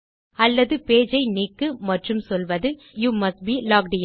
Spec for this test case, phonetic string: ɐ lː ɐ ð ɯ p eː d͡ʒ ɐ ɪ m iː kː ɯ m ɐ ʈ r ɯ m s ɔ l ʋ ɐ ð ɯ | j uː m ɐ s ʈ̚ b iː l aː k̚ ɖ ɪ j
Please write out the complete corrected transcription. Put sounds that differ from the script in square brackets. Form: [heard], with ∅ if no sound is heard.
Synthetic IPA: ɐ lː ɐ ð ɯ p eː d͡ʒ ɐ ɪ [n] iː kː ɯ m ɐ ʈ r ɯ m s ɔ l ʋ ɐ ð ɯ | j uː m ɐ s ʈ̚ b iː l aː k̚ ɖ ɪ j